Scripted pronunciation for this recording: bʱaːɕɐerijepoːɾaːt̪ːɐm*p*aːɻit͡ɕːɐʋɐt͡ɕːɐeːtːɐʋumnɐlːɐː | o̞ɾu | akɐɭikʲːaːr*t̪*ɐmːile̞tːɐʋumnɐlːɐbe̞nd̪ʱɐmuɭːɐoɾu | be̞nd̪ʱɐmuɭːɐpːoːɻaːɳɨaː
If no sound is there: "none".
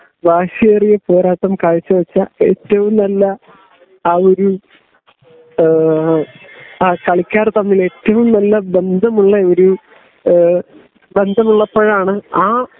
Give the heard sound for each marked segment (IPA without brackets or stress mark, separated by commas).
k, t̪